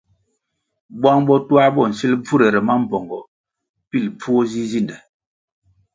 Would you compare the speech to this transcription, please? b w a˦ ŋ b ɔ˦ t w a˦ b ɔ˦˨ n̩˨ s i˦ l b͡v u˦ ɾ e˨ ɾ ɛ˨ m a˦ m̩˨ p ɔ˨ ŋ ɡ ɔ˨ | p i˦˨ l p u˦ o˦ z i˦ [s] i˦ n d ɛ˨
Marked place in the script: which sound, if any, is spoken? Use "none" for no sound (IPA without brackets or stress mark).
z